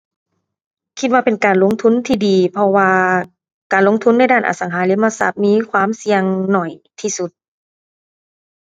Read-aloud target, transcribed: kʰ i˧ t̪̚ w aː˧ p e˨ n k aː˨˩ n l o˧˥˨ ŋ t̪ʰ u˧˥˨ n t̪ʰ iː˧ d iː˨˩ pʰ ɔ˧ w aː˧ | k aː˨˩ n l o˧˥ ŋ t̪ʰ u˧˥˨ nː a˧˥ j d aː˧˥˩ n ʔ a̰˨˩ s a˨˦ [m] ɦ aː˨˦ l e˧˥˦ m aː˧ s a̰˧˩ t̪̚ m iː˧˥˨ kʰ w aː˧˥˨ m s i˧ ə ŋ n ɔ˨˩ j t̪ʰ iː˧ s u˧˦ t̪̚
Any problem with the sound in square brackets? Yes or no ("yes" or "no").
yes